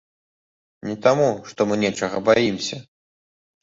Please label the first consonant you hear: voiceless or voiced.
voiced